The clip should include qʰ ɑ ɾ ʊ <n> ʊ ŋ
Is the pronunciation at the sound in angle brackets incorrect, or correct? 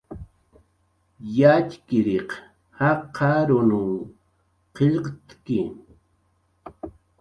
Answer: correct